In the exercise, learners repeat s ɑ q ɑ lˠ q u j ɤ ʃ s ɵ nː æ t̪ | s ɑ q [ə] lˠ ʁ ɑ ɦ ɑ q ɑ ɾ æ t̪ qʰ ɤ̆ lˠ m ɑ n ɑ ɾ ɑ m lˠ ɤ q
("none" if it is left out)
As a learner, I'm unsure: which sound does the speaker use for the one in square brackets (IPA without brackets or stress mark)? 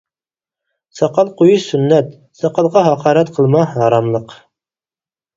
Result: ɑ